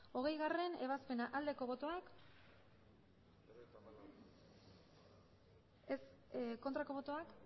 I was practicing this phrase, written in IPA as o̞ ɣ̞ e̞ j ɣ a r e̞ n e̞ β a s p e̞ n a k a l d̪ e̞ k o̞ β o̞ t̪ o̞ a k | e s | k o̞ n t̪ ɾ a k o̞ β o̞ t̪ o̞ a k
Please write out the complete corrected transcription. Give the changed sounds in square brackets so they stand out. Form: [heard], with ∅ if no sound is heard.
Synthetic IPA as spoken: o̞ ɣ̞ e̞ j ɣ a r e̞ n e̞ β a s p e̞ n a [ʔ] a l d̪ e̞ k o̞ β o̞ t̪ o̞ a k | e s | k o̞ n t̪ ɾ a k o̞ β o̞ t̪ o̞ a k